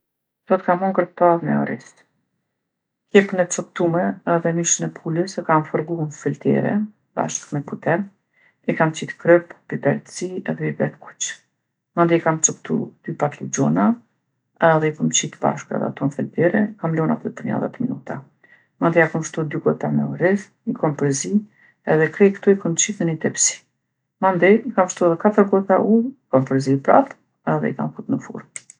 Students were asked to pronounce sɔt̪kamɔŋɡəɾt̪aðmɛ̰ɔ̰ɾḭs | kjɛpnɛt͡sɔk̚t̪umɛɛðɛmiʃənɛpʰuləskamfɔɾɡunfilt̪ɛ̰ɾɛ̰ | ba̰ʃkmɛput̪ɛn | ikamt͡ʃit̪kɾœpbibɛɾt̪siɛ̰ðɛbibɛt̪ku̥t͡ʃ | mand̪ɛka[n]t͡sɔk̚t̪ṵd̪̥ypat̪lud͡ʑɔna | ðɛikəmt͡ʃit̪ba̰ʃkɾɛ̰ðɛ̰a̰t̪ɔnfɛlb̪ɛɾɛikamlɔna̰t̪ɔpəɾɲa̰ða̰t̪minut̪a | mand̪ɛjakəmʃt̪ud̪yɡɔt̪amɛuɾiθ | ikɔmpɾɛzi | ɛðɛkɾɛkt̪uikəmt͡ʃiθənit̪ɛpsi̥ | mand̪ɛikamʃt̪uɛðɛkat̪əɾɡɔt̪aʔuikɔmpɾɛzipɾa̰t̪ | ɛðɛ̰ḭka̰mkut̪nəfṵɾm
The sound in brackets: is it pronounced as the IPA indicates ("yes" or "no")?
no